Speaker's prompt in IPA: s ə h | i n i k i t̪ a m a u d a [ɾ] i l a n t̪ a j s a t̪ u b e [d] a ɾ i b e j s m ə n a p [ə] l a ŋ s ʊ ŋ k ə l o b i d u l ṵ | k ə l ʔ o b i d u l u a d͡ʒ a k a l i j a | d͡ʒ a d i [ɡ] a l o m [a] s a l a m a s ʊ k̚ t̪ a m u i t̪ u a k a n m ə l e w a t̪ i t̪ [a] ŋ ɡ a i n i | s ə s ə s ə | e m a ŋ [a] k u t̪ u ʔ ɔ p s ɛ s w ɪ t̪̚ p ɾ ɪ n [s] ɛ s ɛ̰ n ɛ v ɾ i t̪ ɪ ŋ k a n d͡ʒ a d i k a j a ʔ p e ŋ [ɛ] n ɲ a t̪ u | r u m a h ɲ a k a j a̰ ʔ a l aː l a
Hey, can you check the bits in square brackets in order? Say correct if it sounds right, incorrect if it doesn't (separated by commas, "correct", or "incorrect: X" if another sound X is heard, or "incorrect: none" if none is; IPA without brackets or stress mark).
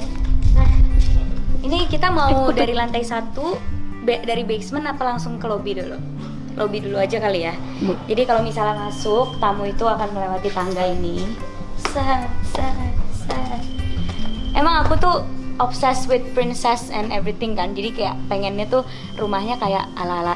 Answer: correct, correct, incorrect: a, incorrect: k, incorrect: i, correct, correct, correct, correct